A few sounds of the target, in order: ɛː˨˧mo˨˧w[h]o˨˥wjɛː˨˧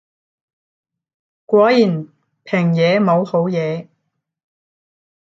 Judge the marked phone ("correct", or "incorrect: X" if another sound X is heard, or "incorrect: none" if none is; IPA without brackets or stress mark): correct